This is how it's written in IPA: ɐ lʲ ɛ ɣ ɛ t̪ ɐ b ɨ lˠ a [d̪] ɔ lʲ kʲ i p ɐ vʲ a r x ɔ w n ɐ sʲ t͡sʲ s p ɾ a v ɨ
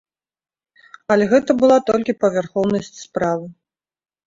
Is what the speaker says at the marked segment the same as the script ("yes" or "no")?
no